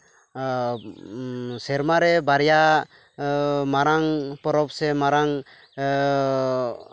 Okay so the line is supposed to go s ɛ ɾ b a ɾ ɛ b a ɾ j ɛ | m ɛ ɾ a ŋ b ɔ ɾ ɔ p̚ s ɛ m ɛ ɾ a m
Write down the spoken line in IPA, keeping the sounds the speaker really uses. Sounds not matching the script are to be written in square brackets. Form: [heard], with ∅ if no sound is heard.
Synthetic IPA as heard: s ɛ ɾ [m] a ɾ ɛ b a ɾ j [a] | m [a] ɾ a ŋ [p] ɔ ɾ ɔ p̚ s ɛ m [a] ɾ a [ŋ]